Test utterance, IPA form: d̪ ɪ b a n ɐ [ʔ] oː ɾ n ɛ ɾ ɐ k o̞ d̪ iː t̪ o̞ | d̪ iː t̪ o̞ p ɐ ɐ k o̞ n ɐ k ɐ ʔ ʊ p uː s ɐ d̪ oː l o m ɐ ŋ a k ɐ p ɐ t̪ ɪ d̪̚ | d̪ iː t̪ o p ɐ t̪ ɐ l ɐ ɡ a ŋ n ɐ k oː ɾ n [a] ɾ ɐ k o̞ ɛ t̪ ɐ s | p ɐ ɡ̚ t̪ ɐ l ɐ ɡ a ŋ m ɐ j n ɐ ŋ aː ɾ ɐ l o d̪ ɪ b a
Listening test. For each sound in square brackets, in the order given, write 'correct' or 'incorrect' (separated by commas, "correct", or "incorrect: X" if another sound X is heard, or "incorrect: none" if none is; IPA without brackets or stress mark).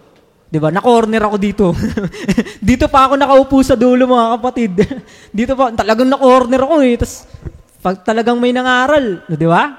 incorrect: k, incorrect: ɛ